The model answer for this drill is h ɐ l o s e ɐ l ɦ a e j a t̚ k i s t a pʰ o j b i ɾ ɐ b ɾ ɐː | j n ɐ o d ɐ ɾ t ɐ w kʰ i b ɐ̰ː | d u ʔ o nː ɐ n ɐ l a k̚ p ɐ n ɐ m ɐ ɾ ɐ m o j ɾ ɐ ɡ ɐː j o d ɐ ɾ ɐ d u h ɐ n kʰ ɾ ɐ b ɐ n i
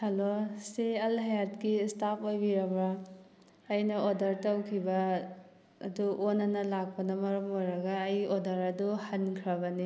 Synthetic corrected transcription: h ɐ l o s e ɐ l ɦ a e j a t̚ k i s t a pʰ o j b i ɾ ɐ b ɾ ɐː | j n ɐ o d ɐ ɾ t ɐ w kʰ i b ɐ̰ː | d u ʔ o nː ɐ n ɐ l a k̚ p ɐ n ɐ m ɐ ɾ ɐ m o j ɾ ɐ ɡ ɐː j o d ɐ ɾ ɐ d u h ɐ n kʰ ɾ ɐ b ɐ n i